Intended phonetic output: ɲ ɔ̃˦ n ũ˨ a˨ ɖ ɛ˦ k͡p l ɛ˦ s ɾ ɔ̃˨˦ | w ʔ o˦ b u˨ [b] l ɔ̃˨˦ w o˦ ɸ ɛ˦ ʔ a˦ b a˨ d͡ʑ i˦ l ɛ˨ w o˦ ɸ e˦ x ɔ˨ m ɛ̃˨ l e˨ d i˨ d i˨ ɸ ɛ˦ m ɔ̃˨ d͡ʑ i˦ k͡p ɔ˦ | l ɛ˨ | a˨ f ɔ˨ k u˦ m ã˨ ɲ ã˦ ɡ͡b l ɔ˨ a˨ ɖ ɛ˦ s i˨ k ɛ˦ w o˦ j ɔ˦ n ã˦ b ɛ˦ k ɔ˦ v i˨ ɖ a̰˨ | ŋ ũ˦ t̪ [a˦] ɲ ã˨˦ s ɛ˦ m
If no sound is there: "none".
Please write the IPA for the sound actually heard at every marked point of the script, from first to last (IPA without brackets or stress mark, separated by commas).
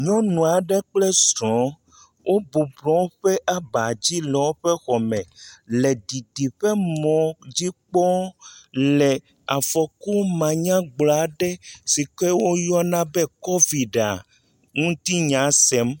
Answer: b, i˦